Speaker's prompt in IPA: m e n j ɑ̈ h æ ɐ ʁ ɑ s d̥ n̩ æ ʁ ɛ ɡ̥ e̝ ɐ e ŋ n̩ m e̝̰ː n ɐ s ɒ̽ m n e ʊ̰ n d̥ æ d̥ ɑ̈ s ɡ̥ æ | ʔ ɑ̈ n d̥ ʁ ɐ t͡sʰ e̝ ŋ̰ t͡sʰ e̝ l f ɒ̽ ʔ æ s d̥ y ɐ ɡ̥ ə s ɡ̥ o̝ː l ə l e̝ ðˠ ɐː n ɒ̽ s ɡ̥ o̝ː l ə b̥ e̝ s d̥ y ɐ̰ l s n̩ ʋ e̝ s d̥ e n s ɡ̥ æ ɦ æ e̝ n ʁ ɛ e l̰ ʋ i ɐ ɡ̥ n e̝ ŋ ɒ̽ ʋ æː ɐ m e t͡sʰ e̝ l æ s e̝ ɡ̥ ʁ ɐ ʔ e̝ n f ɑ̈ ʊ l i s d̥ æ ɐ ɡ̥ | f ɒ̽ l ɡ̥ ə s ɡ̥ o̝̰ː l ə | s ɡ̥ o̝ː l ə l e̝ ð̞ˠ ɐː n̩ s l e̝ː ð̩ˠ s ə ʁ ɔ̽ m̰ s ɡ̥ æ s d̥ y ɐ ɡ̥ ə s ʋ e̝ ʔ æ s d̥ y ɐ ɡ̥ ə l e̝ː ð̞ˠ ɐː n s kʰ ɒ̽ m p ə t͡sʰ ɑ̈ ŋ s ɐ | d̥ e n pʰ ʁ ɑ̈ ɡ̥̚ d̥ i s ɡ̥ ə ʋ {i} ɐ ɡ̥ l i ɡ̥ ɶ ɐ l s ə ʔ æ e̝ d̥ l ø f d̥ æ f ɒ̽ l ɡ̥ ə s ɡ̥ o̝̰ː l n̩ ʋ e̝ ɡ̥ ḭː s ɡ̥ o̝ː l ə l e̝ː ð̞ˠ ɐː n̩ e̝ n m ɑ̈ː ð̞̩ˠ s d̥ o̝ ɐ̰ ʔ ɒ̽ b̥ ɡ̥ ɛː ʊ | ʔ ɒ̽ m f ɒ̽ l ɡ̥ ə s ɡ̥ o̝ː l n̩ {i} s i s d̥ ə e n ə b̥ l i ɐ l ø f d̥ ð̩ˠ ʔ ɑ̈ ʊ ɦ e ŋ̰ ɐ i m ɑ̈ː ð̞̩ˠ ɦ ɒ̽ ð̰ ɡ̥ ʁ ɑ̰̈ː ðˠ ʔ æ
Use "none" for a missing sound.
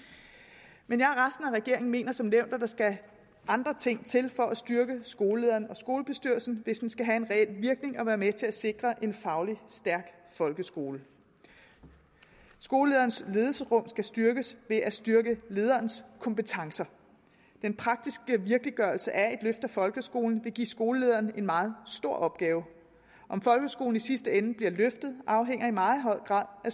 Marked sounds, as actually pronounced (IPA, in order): i, i

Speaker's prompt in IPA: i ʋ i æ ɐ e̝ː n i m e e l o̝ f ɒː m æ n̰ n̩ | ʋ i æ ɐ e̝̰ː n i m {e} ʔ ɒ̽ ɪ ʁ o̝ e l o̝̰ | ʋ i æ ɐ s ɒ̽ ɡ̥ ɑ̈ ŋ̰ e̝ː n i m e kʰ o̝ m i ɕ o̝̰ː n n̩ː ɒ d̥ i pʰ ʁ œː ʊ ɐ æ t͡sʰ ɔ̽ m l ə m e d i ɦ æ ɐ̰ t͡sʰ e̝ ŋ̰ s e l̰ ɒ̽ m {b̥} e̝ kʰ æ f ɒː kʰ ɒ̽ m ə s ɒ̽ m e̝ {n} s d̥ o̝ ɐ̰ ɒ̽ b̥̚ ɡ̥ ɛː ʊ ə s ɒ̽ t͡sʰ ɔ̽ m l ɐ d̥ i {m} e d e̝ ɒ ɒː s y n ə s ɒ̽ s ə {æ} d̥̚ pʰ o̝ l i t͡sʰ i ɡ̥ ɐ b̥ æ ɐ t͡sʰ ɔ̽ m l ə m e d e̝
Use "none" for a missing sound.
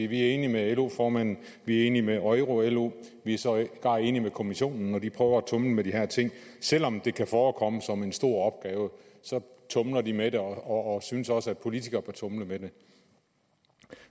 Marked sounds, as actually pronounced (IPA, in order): e, d̥, n, m, æ

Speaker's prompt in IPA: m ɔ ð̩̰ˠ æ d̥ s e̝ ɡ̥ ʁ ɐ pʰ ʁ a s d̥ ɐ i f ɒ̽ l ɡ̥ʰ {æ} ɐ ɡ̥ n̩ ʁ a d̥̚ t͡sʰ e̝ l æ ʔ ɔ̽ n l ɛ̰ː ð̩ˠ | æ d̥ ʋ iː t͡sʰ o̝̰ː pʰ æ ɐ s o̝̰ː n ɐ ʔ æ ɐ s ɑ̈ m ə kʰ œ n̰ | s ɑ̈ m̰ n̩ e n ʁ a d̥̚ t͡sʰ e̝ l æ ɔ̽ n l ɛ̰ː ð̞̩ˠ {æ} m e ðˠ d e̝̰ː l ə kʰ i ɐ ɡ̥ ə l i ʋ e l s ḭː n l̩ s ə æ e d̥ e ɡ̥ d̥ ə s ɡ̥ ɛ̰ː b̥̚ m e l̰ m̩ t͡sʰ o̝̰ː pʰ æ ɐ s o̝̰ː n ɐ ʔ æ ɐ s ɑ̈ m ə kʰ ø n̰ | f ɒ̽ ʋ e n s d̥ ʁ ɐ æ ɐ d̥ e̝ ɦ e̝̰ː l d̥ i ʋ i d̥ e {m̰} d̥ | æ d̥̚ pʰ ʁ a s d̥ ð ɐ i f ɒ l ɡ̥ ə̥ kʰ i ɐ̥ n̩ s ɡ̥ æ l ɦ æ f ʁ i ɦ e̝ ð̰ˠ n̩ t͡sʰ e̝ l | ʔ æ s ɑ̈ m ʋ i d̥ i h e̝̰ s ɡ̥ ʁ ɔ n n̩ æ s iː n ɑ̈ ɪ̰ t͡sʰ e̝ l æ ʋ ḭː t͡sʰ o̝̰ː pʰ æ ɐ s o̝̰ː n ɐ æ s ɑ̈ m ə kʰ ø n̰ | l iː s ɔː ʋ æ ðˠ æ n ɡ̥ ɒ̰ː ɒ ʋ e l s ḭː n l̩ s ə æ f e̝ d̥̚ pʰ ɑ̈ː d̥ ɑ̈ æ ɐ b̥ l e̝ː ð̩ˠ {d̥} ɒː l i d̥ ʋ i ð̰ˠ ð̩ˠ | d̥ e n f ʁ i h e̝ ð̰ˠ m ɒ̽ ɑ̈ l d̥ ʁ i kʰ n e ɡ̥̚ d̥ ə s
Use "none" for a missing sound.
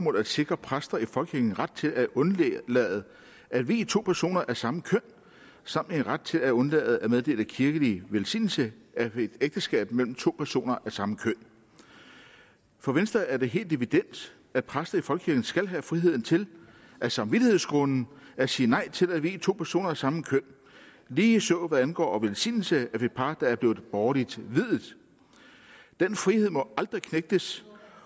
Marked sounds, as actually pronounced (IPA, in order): i, æ, n̰, b̥

